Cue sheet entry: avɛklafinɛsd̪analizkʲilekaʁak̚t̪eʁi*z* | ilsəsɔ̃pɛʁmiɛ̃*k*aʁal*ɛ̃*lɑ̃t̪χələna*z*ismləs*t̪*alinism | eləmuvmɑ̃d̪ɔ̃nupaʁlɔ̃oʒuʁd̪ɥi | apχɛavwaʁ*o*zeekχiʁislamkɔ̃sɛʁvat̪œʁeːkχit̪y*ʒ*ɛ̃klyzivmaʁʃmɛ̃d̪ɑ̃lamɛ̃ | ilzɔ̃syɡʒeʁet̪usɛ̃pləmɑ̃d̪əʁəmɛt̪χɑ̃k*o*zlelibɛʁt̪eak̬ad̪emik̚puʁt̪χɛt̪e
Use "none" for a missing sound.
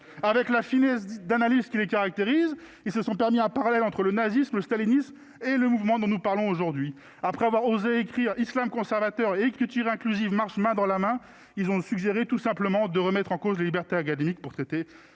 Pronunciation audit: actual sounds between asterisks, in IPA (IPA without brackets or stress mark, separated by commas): z, p, ɛ, z, t̪, o, ʁ, o